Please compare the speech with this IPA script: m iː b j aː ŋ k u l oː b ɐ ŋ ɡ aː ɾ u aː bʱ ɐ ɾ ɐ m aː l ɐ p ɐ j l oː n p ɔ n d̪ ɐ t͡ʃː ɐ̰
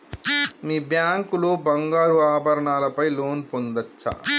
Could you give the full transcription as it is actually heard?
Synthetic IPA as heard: m iː b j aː ŋ k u l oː b ɐ ŋ ɡ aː ɾ u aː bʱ ɐ ɾ ɐ ɳ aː l ɐ p ɐ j l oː n p o n d̪ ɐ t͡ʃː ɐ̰